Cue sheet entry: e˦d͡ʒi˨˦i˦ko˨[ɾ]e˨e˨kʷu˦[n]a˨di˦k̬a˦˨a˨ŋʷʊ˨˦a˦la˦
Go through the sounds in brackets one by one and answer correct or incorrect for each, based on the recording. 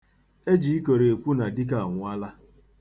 correct, correct

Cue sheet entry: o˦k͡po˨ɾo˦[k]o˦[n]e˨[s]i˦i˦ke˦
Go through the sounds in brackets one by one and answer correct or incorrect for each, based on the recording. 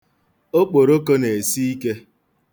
correct, correct, correct

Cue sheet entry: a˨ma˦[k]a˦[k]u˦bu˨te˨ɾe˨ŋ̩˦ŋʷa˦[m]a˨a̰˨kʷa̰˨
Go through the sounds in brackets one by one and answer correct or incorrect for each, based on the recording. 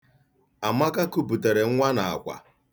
correct, correct, incorrect

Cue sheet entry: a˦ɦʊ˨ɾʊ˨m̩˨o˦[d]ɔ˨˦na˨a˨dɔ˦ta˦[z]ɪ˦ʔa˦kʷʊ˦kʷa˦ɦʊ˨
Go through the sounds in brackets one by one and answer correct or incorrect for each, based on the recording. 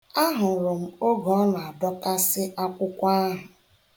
incorrect, incorrect

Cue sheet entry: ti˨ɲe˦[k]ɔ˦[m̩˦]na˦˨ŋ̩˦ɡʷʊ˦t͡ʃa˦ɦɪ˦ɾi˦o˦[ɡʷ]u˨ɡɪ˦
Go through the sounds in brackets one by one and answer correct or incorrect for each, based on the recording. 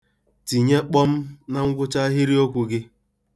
incorrect, correct, incorrect

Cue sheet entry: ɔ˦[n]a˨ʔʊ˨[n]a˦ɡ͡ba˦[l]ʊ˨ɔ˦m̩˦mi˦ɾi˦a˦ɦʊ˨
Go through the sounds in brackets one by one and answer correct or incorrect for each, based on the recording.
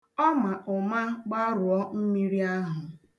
incorrect, incorrect, incorrect

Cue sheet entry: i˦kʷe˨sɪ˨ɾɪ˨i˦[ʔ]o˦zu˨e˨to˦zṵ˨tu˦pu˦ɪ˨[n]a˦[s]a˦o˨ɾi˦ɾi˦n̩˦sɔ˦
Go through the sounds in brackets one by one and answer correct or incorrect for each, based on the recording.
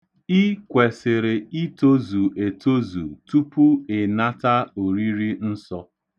incorrect, correct, incorrect

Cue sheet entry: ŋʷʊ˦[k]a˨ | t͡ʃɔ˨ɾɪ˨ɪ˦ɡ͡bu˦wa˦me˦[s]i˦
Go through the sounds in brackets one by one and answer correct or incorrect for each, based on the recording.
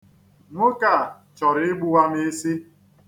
correct, correct

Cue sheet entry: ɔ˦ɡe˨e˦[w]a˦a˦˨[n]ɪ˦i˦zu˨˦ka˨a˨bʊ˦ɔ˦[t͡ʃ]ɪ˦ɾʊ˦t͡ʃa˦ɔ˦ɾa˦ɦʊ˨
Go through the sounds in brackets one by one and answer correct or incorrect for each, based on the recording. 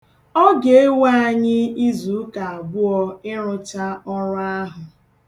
correct, incorrect, incorrect

